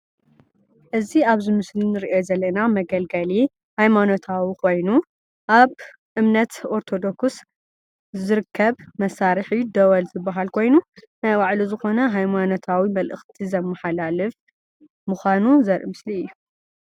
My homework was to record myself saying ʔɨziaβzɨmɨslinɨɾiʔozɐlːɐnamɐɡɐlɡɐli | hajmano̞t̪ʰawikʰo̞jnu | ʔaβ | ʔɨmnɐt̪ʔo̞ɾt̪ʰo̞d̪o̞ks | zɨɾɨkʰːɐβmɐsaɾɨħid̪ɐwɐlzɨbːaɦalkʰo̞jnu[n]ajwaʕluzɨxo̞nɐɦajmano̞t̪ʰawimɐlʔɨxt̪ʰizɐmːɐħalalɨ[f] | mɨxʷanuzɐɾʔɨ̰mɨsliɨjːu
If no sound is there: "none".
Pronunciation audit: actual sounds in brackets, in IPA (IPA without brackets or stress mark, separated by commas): n, f